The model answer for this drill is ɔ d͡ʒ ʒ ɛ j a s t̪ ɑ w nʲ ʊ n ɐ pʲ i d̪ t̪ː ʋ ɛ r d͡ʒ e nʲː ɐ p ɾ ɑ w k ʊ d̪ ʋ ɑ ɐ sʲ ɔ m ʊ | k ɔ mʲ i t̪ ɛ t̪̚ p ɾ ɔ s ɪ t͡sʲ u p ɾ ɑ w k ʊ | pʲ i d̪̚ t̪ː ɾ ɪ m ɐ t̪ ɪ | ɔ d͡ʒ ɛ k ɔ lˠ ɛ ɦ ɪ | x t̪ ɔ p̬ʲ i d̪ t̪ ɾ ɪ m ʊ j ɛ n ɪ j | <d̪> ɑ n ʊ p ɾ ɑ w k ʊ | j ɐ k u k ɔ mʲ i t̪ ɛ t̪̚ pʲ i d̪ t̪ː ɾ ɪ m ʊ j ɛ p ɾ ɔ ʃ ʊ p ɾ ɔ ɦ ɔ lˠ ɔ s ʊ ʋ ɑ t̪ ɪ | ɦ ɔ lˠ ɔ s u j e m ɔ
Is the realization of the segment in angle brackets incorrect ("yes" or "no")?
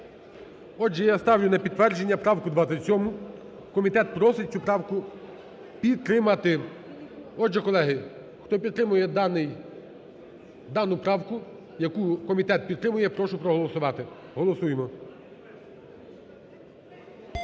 no